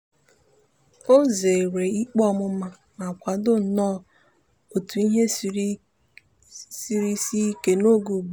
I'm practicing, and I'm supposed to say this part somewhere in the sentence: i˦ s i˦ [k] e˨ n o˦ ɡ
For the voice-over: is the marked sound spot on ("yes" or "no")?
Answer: yes